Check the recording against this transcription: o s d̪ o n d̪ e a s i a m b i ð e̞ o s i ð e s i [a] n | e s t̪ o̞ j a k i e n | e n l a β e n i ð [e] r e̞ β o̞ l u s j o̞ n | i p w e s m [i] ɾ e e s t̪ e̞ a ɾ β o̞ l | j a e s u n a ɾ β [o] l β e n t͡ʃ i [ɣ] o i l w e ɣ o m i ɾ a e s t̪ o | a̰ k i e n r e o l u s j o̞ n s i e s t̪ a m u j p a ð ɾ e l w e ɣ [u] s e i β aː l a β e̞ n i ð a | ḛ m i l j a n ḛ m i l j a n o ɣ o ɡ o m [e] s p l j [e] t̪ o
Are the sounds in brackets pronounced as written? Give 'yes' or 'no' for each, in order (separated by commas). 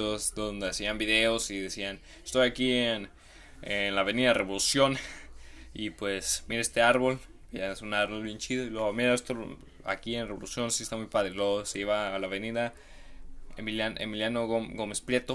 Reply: yes, no, yes, yes, no, no, yes, yes